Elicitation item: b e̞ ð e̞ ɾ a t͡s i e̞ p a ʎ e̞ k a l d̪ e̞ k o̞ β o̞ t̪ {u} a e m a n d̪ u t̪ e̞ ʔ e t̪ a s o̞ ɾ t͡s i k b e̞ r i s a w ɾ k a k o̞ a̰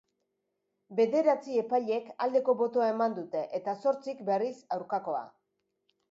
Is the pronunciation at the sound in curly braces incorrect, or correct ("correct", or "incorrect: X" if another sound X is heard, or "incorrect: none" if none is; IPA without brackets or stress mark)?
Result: incorrect: o